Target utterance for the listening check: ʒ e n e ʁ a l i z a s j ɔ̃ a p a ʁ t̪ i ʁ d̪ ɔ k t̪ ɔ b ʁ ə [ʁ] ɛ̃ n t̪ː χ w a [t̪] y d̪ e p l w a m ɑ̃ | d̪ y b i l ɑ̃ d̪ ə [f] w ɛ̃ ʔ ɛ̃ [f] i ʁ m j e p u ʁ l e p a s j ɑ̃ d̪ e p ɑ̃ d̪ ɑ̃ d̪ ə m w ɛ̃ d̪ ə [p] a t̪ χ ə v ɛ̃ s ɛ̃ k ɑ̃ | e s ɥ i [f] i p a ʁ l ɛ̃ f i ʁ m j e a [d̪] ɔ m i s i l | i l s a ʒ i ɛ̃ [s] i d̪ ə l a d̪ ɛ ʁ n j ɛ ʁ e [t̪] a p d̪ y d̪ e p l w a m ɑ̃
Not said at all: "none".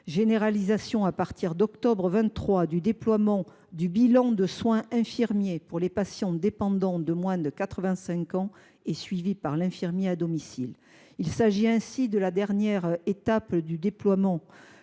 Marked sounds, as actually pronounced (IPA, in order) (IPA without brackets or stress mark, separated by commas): v, d̪, s, f, k, v, d̪, s, t̪